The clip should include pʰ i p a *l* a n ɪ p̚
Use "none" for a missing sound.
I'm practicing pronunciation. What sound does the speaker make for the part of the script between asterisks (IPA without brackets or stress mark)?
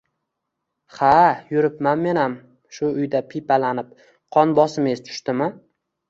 l